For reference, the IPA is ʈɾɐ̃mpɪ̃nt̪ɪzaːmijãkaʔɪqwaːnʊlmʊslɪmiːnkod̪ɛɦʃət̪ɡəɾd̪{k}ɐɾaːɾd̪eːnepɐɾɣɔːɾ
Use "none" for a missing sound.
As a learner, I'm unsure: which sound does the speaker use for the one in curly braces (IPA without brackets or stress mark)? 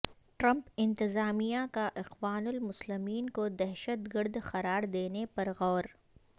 x